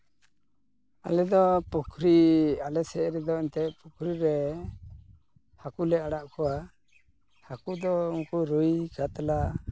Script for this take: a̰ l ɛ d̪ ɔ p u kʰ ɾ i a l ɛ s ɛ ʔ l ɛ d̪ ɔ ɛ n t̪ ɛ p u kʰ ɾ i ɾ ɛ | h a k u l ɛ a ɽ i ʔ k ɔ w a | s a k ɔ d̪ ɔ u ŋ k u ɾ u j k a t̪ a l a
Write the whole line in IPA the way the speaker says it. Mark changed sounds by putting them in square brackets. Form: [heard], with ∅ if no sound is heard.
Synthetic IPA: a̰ l ɛ d̪ ɔ p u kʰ ɾ i a l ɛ s ɛ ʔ [ɾ] ɛ d̪ ɔ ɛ n t̪ ɛ p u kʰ ɾ i ɾ ɛ | h a k u l ɛ a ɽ [a] ʔ k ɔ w a | [h] a k [u] d̪ ɔ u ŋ k u ɾ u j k a t̪ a l a